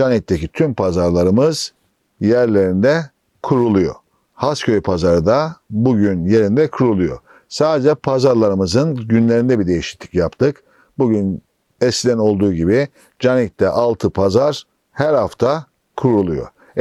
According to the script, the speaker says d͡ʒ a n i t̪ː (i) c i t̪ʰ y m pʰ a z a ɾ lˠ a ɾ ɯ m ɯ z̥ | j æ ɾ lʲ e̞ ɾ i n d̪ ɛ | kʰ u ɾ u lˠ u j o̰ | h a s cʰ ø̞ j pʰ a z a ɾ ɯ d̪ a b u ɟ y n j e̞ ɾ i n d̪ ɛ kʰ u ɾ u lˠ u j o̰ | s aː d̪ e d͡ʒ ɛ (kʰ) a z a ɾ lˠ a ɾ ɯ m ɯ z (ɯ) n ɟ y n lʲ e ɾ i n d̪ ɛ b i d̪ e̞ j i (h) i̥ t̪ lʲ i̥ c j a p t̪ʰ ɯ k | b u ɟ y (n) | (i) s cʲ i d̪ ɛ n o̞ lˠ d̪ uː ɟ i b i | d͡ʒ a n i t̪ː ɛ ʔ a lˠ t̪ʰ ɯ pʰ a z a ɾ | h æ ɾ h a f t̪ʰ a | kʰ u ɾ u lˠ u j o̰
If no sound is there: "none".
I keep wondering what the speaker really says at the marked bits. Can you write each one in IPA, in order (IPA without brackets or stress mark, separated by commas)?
e, pʰ, ɯ, ʃ, n, ɛ